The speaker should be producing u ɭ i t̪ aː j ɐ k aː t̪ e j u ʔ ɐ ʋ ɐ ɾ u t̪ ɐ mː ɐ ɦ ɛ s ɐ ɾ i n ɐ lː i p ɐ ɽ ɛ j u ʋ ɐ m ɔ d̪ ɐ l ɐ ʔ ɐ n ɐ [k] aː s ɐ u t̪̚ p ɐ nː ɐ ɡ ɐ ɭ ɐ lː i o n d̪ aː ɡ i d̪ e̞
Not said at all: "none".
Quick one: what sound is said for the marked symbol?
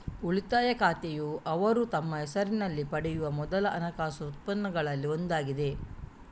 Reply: k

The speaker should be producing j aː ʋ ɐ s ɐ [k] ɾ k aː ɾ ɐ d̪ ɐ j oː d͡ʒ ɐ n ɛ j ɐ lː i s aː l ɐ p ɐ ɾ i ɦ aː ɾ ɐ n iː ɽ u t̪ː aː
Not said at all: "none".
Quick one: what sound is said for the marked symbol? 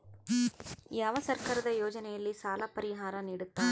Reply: none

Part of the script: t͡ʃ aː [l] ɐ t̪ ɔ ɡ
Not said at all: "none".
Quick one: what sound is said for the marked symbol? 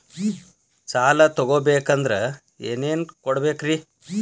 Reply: l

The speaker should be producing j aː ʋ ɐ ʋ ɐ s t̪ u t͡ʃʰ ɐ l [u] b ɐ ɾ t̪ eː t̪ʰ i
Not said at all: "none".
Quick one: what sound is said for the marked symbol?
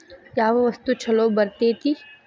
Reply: o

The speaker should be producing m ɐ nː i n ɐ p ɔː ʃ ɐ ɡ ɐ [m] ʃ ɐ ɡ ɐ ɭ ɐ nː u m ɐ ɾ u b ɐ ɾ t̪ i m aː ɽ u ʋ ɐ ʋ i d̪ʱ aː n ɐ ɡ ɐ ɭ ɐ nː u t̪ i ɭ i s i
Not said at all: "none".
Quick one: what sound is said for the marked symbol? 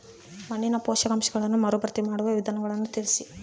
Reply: m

